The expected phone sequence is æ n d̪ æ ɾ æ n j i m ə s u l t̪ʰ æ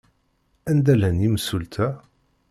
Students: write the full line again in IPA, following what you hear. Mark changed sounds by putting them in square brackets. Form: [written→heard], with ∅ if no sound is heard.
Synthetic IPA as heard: æ n d̪ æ [ɾ→l] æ n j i m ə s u l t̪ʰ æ